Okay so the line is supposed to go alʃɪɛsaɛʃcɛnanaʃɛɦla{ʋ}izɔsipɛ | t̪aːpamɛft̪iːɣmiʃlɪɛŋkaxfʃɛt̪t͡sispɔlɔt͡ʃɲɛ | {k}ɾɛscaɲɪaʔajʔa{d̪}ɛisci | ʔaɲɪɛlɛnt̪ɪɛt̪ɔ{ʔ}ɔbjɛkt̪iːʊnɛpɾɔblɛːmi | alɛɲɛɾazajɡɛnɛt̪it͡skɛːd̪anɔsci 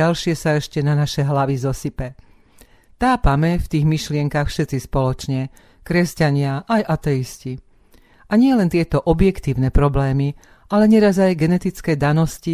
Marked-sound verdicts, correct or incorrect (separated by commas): correct, correct, incorrect, correct